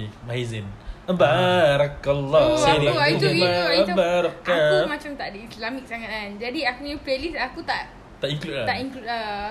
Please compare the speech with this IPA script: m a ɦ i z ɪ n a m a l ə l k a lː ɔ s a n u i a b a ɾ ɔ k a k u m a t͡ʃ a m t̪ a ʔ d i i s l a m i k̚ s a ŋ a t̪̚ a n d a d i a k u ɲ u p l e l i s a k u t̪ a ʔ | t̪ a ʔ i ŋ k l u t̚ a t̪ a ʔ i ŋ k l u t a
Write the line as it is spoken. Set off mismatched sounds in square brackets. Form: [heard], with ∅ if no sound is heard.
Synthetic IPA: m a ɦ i z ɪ n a [b] a [ɾ] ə [∅] k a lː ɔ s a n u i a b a ɾ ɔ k a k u m a t͡ʃ a m t̪ a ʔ d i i s l a m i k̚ s a ŋ a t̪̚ a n [d͡ʒ] a d i a k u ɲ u p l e l i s a k u t̪ a ʔ | t̪ a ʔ i ŋ k l u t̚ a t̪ a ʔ i ŋ k l u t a